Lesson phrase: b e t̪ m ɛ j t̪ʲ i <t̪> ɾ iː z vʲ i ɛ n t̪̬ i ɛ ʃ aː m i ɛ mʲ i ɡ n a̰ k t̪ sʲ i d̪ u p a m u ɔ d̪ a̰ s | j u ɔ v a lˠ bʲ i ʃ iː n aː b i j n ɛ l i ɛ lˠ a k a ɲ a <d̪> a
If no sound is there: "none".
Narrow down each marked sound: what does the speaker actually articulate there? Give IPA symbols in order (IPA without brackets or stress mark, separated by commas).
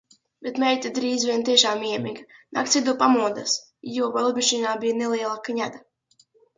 d̪, d̪